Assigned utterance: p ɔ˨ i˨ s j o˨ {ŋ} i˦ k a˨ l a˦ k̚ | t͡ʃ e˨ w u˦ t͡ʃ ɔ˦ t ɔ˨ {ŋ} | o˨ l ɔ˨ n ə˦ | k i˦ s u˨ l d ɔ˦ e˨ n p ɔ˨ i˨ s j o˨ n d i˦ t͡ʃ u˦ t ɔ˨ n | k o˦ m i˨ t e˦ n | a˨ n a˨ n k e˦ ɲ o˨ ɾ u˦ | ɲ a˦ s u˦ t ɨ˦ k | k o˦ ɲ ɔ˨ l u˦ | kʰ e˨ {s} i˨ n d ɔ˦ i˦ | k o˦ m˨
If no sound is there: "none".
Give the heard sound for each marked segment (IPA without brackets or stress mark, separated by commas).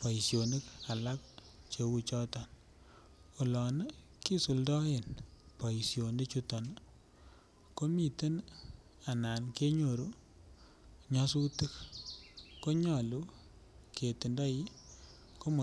n, n, t